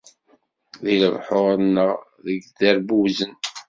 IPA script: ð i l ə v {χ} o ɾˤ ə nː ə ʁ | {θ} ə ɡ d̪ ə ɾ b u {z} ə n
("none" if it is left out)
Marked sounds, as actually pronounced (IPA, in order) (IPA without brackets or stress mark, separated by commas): ħ, ð, z